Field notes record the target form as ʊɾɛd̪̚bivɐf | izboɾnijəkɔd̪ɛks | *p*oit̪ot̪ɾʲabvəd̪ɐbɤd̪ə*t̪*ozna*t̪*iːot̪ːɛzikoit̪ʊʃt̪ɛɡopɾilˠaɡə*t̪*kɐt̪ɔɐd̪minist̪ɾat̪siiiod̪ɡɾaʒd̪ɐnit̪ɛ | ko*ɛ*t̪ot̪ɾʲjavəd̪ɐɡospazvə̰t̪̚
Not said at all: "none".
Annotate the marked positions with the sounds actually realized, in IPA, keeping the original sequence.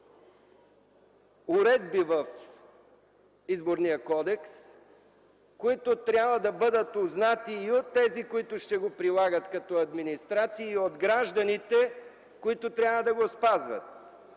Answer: k, t̪, t̪, t̪, i

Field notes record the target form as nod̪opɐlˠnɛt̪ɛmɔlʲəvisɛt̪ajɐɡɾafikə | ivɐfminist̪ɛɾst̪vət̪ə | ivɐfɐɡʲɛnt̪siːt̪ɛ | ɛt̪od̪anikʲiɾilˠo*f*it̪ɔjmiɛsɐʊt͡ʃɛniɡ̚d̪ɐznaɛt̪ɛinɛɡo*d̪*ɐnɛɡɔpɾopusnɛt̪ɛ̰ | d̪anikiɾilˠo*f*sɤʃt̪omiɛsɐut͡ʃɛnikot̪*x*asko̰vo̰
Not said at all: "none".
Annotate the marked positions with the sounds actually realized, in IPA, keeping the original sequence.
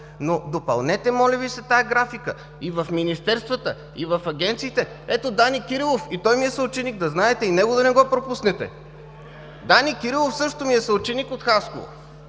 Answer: f, d̪, f, x

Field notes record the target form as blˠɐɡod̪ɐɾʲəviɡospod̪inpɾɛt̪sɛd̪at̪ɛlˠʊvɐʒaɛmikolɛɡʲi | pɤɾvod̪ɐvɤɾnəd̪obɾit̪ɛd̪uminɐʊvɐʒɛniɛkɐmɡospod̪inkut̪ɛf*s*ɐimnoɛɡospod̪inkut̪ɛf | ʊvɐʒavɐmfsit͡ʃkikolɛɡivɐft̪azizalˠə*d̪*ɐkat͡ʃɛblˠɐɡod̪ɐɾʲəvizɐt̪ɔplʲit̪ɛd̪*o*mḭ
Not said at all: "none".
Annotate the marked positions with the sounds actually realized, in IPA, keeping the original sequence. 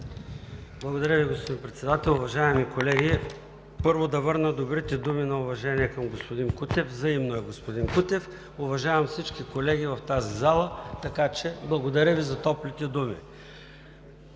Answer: z, t̪, u

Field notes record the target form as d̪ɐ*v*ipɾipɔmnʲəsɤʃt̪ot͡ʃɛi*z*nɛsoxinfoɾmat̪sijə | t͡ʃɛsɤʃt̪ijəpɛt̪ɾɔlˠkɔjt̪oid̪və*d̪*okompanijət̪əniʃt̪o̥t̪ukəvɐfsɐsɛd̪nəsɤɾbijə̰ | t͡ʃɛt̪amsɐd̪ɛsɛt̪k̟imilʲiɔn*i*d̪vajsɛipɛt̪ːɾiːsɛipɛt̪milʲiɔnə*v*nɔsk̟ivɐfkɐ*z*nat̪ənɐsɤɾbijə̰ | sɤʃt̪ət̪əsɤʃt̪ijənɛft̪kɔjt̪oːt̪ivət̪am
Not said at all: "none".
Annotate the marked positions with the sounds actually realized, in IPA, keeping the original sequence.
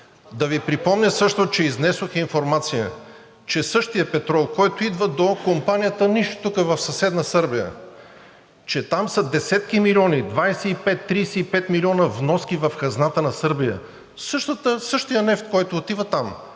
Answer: v, z, d̪, i, v, z

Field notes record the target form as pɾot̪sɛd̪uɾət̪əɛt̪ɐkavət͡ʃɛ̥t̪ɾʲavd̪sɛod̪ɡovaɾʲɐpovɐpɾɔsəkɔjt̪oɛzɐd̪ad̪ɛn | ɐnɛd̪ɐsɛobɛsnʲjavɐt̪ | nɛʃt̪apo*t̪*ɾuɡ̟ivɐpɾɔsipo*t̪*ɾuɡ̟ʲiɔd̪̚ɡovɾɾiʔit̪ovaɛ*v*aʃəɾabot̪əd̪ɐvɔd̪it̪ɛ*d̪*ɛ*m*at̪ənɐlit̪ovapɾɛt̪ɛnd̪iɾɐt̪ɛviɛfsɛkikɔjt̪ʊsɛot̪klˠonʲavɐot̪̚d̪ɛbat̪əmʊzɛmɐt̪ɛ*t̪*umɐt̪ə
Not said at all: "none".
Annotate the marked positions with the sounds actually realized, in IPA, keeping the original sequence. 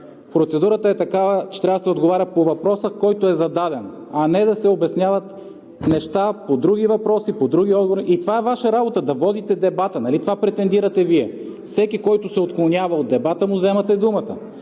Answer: d̪, d̪, v, d̪, b, d̪

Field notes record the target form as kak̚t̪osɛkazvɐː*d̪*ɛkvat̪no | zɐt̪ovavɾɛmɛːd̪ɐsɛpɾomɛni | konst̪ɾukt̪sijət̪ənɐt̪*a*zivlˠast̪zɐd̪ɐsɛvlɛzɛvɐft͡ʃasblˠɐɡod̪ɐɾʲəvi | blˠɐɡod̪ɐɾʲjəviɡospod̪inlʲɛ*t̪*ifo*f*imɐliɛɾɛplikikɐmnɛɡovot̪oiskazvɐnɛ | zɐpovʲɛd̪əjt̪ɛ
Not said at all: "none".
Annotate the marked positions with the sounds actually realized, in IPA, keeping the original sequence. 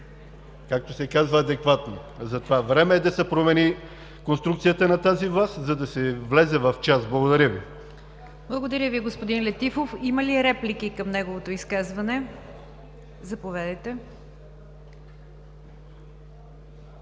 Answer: d̪, a, t̪, f

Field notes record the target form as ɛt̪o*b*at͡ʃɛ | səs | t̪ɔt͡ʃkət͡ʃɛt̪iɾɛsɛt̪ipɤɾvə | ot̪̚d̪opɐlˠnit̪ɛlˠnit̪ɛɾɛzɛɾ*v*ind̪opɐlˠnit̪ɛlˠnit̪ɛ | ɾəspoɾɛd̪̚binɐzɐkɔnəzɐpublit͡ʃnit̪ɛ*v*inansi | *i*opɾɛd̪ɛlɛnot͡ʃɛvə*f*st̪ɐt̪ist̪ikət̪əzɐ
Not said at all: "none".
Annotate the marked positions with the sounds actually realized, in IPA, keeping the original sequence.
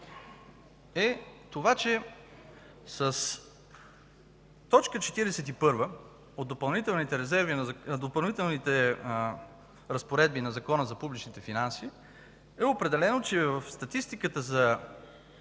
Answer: v, v, f, ɛ, f

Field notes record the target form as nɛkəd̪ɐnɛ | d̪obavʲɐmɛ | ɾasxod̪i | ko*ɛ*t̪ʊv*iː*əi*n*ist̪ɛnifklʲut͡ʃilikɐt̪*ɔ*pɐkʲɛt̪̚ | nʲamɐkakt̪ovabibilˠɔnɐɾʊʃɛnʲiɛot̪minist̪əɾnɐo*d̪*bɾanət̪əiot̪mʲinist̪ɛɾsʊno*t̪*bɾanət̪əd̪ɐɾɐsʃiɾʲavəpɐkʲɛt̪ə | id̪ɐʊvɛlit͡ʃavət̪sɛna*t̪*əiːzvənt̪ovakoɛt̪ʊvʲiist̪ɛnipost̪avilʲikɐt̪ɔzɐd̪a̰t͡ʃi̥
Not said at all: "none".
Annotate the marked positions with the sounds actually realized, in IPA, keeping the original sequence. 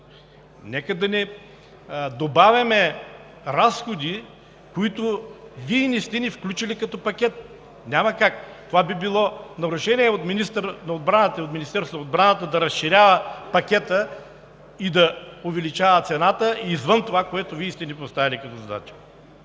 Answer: i, i, n, ɔ, d̪, d̪, t̪

